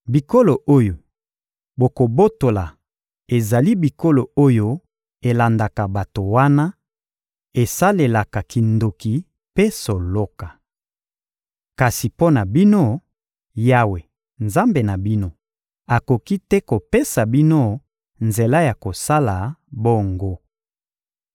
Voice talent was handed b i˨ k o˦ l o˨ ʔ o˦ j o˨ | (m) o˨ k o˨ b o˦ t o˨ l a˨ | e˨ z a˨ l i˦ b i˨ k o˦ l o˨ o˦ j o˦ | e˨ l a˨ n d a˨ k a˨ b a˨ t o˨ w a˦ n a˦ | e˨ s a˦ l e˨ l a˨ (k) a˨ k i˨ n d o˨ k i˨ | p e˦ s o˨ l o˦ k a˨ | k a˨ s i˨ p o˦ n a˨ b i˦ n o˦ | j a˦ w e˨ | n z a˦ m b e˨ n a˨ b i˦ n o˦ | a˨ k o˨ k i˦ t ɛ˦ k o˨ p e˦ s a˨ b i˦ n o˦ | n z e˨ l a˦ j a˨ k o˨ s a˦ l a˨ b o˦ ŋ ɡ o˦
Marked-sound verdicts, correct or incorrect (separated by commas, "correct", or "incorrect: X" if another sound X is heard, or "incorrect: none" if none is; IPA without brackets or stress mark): incorrect: b, correct